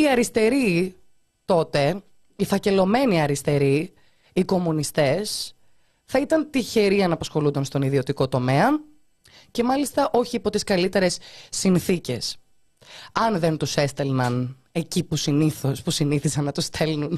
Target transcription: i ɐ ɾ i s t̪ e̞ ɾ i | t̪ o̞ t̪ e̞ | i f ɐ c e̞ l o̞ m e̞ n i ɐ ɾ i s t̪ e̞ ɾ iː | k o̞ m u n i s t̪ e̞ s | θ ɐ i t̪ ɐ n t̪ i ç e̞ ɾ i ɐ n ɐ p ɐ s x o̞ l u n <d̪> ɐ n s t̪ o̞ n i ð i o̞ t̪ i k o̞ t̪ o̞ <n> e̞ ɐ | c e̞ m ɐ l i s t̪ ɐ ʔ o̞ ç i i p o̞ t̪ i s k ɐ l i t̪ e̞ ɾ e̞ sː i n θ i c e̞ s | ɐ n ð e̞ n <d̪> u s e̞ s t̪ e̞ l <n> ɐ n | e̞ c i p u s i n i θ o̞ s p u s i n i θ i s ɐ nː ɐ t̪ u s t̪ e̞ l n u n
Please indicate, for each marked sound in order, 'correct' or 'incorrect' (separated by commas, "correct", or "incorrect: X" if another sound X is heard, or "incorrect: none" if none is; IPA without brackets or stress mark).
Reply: correct, incorrect: m, incorrect: t̪, correct